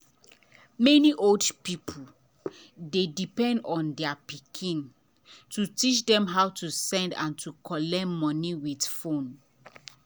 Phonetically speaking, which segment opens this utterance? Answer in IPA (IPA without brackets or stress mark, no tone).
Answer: m